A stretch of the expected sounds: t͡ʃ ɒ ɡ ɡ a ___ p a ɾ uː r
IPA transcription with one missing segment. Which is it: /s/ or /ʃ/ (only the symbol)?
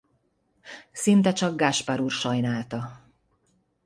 ʃ